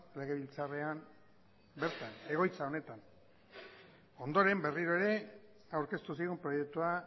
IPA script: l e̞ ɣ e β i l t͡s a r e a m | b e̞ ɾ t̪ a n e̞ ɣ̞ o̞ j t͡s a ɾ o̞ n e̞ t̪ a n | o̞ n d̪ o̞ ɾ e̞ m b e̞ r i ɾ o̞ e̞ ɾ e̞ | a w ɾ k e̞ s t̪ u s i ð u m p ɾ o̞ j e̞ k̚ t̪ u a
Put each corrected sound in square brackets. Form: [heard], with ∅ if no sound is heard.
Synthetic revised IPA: l e̞ ɣ e β i l t͡s a r e a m | b e̞ ɾ t̪ a n e̞ ɣ̞ o̞ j t͡s a [∅] o̞ n e̞ t̪ a n | o̞ n d̪ o̞ ɾ e̞ m b e̞ r i ɾ o̞ e̞ ɾ e̞ | a w ɾ k e̞ s t̪ u s i [ɣ] u m p ɾ o̞ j e̞ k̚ t̪ u a